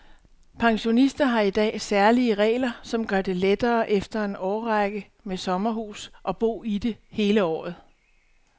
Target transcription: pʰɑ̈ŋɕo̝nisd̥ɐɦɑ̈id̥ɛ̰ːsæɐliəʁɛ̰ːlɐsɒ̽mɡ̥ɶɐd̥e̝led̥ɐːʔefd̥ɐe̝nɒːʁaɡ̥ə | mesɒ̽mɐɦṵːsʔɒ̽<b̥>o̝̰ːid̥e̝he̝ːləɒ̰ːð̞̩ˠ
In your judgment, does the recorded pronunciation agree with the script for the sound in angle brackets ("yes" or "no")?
yes